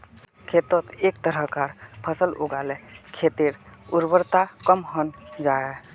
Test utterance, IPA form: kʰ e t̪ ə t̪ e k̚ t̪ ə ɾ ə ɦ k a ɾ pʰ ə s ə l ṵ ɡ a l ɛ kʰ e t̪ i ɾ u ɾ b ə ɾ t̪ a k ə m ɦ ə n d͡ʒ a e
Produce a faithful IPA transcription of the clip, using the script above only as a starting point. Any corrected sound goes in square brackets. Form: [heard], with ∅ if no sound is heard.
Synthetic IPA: kʰ e t̪ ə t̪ e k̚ t̪ ə ɾ ə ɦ k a ɾ pʰ ə s ə l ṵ ɡ a l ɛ kʰ e t̪ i ɾ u ɾ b ə ɾ t̪ a k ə m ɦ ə n d͡ʒ a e

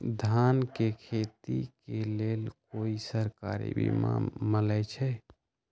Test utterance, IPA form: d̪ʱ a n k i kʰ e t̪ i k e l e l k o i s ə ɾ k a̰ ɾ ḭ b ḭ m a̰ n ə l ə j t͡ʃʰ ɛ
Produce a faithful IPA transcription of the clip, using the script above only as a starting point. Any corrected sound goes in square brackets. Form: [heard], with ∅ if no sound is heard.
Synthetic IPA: d̪ʱ a n k [e] kʰ e t̪ i k e l e l k o i s ə ɾ k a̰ ɾ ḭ b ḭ m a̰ [m] ə l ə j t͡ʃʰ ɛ

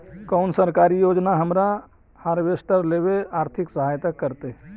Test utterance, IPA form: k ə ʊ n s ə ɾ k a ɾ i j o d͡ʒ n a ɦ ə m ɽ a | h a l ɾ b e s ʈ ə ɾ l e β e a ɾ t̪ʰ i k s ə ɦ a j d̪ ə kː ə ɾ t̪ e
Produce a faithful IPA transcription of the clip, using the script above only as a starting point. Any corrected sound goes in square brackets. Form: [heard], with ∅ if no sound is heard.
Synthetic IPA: k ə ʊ n s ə ɾ k a ɾ i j o d͡ʒ n a ɦ ə m [ɾ] a | h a [∅] ɾ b e s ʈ ə ɾ l e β e a ɾ t̪ʰ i k s ə ɦ a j [t̪] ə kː ə ɾ t̪ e

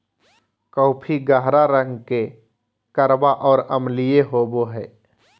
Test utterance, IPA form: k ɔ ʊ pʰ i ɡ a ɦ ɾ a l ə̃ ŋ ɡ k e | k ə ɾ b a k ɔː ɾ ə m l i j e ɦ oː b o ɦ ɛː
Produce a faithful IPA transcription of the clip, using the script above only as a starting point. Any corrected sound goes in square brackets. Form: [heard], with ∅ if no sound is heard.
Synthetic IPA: k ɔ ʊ pʰ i ɡ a ɦ ɾ a [ɾ] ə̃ ŋ ɡ k e | k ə ɾ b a [ʔ] ɔː ɾ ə m l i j e ɦ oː b o ɦ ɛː

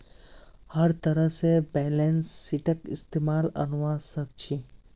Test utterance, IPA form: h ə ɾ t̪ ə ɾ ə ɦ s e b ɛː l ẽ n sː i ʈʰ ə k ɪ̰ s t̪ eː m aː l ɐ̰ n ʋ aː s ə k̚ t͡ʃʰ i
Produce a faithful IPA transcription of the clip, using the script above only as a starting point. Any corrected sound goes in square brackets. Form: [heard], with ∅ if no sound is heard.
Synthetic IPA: h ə ɾ t̪ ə ɾ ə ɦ s e b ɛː l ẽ n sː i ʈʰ ə k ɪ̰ s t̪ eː m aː l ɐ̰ n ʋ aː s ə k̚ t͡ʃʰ i

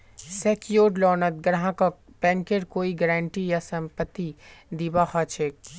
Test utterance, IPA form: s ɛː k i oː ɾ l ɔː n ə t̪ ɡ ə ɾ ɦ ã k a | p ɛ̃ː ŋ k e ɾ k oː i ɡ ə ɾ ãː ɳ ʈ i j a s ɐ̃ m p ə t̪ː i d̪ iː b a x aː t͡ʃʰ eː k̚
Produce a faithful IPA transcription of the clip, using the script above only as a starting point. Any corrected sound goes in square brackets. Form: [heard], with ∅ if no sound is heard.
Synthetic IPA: s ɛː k [j] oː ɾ l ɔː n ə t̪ ɡ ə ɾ ɦ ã k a | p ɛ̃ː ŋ k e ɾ k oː i ɡ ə ɾ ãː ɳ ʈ i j a s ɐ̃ m p ə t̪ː i d̪ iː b a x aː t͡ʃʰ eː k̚

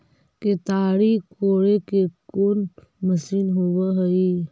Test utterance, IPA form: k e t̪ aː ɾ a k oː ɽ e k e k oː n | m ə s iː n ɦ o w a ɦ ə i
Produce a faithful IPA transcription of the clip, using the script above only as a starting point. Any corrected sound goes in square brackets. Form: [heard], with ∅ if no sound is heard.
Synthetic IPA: k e t̪ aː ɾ [i] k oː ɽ e k e k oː n | m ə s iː n ɦ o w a ɦ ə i

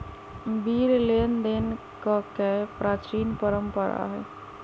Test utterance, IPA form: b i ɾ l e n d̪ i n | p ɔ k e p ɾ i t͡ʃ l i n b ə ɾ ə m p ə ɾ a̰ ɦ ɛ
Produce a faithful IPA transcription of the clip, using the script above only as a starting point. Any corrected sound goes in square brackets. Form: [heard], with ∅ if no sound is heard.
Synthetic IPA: b i ɾ l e n d̪ [e] n | [k] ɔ k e p ɾ [a] t͡ʃ [ɾ] i n [p] ə ɾ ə m p ə ɾ a̰ ɦ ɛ

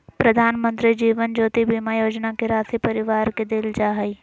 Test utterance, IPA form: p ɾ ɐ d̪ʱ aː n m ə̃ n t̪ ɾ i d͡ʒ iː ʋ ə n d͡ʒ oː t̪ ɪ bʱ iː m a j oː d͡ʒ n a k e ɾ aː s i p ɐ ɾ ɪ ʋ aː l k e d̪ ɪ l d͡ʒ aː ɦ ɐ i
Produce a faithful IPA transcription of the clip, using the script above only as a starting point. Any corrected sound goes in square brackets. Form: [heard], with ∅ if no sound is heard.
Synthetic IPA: p ɾ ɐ d̪ʱ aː n m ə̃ n t̪ ɾ i d͡ʒ iː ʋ ə n d͡ʒ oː t̪ [i] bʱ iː m a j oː d͡ʒ n a k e ɾ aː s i p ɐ ɾ ɪ ʋ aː [ɾ] k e d̪ ɪ l d͡ʒ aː ɦ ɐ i

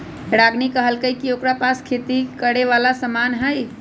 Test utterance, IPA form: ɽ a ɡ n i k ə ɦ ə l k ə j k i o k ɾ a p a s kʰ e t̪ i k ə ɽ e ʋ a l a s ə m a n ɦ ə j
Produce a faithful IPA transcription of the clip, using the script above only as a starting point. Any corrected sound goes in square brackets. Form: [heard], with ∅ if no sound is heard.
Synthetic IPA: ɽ a ɡ n i k ə ɦ ə l k ə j k i o k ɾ a p a s kʰ e t̪ i k ə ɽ e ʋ a l a s ə m a n ɦ ə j

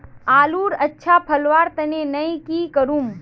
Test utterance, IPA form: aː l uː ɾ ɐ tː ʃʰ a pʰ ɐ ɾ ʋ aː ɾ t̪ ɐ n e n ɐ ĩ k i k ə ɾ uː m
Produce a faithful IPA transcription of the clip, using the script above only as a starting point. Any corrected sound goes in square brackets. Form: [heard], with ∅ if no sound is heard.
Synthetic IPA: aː l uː ɾ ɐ tː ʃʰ a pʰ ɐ [l] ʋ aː ɾ t̪ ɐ n e n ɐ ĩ k i k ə ɾ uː m

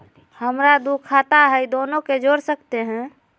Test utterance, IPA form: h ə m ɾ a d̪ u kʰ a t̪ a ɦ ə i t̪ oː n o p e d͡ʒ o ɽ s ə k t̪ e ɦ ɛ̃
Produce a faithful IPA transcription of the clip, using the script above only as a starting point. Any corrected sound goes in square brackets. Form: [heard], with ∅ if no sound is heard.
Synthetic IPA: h ə m ɾ a d̪ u kʰ a t̪ a ɦ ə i [d̪] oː n o [k] e d͡ʒ o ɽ s ə k t̪ e ɦ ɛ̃

